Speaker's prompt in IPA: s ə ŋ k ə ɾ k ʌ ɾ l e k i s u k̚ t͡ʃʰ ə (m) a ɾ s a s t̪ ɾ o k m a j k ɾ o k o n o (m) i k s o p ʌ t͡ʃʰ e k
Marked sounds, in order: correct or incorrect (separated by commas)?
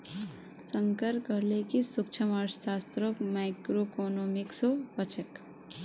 correct, correct